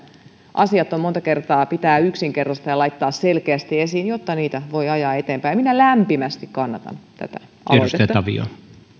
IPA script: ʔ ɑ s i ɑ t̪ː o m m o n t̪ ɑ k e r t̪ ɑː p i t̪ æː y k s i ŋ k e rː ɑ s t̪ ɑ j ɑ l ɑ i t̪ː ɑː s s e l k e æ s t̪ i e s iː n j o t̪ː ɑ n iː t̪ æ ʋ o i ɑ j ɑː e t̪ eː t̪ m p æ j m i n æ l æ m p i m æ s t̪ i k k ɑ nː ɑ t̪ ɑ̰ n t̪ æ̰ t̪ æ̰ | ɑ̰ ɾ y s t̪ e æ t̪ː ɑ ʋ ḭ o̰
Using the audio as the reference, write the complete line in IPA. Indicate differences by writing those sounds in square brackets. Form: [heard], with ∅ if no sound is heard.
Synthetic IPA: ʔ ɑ s i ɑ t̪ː o m m o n t̪ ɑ k e r t̪ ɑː p i t̪ æː y k s i ŋ k e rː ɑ s t̪ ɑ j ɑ l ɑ i t̪ː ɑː s s e l k e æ s t̪ i e s iː n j o t̪ː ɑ n iː t̪ æ ʋ o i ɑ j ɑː e t̪ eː [∅] m p æ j m i n æ l æ m p i m æ s t̪ i k k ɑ nː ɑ t̪ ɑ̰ n t̪ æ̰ t̪ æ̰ | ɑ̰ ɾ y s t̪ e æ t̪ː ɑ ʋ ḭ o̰

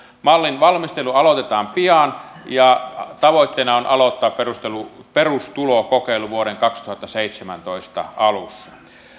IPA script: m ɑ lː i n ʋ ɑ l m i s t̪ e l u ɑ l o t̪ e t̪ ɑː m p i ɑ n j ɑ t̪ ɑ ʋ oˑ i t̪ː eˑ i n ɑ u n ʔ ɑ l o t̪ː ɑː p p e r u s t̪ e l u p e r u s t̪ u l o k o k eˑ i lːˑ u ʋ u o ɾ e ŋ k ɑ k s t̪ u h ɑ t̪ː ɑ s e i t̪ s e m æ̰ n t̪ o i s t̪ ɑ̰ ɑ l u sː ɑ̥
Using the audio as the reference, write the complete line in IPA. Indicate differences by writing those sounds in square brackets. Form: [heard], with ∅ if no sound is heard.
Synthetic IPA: m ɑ lː i n ʋ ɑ l m i s t̪ e l u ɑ l o t̪ e t̪ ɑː m p i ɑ n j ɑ t̪ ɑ ʋ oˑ i t̪ː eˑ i n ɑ [o] n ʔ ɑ l o t̪ː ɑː p p e r u s t̪ e l u p e r u s t̪ u l o k o k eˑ i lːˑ u ʋ u o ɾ e ŋ k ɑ k s t̪ u h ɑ t̪ː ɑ s e i t̪ s e m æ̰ n t̪ o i s t̪ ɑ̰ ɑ l u sː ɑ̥

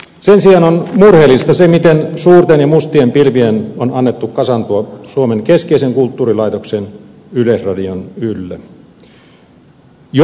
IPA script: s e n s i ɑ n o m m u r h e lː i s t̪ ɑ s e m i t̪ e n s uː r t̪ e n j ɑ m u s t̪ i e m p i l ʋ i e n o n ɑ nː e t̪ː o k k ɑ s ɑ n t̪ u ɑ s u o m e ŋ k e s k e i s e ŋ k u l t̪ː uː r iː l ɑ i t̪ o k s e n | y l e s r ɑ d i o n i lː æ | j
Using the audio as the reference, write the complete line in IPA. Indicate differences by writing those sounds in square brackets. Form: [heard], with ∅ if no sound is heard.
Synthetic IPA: s e n s i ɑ n o [n] m u r h e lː i s t̪ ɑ s e m i t̪ e n s uː r t̪ e n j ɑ m u s t̪ i e m p i l ʋ i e n o n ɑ nː e t̪ː [u] k k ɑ s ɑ n t̪ u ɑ s u o m e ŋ k e s k e i s e ŋ k u l t̪ː uː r [i] l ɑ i t̪ o k s e n | y l e s r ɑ d i o n [y] lː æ | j

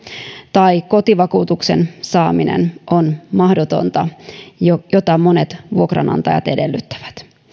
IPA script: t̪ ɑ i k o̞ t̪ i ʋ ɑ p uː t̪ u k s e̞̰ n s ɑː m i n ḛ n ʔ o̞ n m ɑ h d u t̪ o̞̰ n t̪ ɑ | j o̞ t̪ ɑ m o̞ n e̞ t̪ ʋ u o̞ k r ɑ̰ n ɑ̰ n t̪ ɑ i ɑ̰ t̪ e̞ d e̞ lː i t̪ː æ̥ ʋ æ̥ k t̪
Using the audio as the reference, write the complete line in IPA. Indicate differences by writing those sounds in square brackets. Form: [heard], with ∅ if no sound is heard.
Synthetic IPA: t̪ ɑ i k o̞ t̪ i ʋ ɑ [k] uː t̪ u k s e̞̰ n s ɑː m i n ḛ n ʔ o̞ n m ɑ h d [o] t̪ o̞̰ n t̪ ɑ | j o̞ t̪ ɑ m o̞ n e̞ t̪ ʋ u o̞ k r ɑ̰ n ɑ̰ n t̪ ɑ [j] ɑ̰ t̪ e̞ d e̞ lː [y] t̪ː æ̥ ʋ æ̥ [∅] t̪

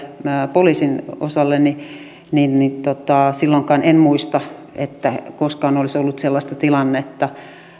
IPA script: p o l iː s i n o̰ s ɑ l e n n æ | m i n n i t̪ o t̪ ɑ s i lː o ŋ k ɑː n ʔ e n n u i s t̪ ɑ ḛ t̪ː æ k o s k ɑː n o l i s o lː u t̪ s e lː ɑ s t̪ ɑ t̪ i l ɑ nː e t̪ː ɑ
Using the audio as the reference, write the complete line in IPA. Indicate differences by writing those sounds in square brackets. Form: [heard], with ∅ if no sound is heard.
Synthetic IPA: p o l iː s i n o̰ s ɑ [lː] e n n [i] | [n] i n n i t̪ o t̪ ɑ s i lː o ŋ k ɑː n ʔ e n [m] u i s t̪ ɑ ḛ t̪ː æ k o s k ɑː n o l i s o lː u t̪ s e lː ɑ s t̪ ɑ t̪ i l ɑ nː e t̪ː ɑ

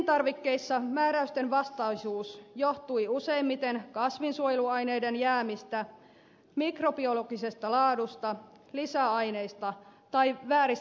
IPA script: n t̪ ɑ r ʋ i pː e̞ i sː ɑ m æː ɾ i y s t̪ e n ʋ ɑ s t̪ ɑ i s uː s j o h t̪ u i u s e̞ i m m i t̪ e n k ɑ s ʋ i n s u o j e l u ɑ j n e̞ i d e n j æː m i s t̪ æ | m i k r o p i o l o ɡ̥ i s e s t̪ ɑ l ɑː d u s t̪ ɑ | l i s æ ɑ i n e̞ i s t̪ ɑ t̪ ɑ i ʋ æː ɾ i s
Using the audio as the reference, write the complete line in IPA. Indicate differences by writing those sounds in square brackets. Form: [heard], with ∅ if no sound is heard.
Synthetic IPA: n t̪ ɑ r ʋ i [kː] e̞ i sː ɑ m æː ɾ [æ] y s t̪ e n ʋ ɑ s t̪ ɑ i s uː s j o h t̪ u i u s e̞ i m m i t̪ e n k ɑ s ʋ i n s u o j e l u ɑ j n e̞ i d e n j æː m i s t̪ æ | m i k r o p i o l o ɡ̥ i s e s t̪ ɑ l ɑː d u s t̪ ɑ | l i s æ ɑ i n e̞ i s t̪ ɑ t̪ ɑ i ʋ æː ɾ i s

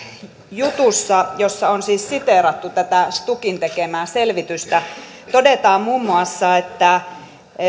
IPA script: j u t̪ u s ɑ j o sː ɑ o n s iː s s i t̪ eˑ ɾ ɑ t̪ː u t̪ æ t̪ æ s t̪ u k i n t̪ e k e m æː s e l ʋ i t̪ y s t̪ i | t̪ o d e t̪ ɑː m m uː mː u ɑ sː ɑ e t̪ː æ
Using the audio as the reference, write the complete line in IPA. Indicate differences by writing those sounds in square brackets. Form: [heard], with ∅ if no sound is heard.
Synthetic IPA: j u t̪ u [sː] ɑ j o sː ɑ o n s iː s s i t̪ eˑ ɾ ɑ t̪ː u t̪ æ t̪ æ s t̪ u k i n t̪ e k e m æː s e l ʋ i t̪ y s t̪ [æ] | t̪ o d e t̪ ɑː m m uː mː u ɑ sː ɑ e t̪ː æ

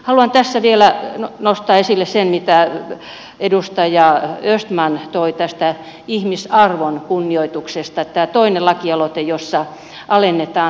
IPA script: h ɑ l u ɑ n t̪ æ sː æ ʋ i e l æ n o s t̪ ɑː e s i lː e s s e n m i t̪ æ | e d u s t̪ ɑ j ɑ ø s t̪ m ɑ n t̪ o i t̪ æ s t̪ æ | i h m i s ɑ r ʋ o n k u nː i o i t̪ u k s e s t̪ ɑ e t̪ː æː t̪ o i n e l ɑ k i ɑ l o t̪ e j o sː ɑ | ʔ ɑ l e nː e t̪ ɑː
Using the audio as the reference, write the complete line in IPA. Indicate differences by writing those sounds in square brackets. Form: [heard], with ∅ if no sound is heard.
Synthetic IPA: h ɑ l u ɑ n t̪ æ sː æ ʋ i e l æ n o s t̪ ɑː e s i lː e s s e n m i t̪ æ | e d u s t̪ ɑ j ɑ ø s t̪ m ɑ n t̪ o i t̪ æ s t̪ æ | i h m i s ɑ r ʋ o n k u nː i o i t̪ u k s e s t̪ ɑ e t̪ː æː t̪ o i n e l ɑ k i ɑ l o t̪ e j o sː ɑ | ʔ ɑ l e nː e t̪ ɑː

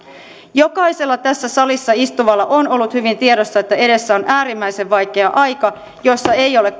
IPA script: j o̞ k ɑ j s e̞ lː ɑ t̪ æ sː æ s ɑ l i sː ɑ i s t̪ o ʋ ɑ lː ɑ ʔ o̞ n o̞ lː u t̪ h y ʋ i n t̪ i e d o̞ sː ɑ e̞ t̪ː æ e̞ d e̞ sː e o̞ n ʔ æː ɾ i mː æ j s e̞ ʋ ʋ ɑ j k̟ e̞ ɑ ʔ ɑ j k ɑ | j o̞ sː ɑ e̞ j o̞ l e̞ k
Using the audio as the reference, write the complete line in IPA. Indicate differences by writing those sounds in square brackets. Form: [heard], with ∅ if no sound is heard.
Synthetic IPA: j o̞ k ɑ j s e̞ lː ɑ t̪ æ sː æ s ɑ l i sː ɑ i s t̪ [u] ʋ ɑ lː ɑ ʔ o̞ n o̞ lː u t̪ h y ʋ i n t̪ i e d o̞ sː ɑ e̞ t̪ː æ e̞ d e̞ sː [æ] o̞ n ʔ æː ɾ i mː æ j s e̞ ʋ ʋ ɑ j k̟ e̞ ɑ ʔ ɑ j k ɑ | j o̞ sː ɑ e̞ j o̞ l e̞ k

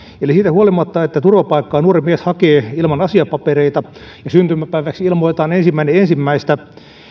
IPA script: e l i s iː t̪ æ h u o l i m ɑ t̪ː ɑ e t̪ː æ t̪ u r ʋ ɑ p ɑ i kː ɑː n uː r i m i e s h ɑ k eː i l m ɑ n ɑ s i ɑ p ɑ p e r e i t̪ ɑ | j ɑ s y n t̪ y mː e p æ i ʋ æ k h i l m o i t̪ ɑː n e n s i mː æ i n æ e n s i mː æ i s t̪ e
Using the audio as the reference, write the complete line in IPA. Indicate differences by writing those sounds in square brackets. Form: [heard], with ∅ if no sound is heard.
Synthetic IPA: e l i s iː t̪ æ h u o l i m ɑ t̪ː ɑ e t̪ː æ t̪ u r ʋ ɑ p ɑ i kː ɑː n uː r i m i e s h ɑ k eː i l m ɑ n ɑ s i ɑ p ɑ p e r e i t̪ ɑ | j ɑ s y n t̪ y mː [æ] p æ i ʋ æ k [s] i l m o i t̪ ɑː n e n s i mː æ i n [e] e n s i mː æ i s t̪ [æ]

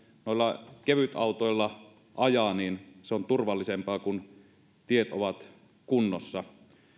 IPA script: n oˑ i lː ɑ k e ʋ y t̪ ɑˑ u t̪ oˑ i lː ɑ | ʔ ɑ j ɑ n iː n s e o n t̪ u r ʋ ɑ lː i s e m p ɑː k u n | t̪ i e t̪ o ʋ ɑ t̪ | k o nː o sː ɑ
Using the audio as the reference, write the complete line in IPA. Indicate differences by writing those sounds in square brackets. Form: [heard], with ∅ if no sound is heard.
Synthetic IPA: n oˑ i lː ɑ k e ʋ y t̪ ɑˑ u t̪ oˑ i lː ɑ | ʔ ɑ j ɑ n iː n s e o n t̪ u r ʋ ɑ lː i s e m p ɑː k u n | t̪ i e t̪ o ʋ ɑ t̪ | k [u] nː o sː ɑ

